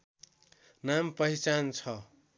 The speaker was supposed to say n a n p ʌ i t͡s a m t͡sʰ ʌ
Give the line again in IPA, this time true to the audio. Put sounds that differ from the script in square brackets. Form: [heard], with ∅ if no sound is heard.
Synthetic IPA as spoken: n a [m] p ʌ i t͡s a [n] t͡sʰ ʌ